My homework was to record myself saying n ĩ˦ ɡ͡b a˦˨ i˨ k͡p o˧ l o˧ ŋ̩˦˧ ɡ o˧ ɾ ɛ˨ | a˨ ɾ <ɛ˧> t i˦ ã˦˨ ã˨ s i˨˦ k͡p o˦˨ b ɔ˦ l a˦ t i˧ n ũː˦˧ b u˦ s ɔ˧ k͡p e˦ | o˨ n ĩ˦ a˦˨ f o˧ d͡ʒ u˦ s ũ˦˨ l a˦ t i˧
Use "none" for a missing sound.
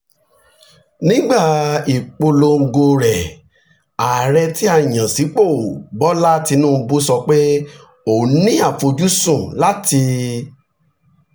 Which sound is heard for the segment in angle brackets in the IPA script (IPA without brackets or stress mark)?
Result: ɛ˧